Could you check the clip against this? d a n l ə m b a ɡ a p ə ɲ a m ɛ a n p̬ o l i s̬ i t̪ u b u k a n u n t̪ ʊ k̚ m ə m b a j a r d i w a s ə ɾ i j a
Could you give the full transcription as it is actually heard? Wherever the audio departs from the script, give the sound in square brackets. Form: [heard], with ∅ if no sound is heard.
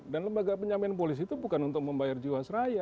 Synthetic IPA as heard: d a n l ə m b a ɡ a p ə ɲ a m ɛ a n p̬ o l i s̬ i t̪ u b u k a n u n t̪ ʊ k̚ m ə m b a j a r [d͡ʒ] i w a s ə ɾ [a] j a